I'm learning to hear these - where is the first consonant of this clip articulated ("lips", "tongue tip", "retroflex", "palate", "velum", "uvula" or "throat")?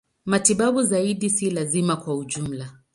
lips